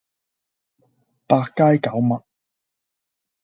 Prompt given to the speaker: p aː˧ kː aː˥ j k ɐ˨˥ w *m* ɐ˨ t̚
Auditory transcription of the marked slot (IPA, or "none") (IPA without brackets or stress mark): m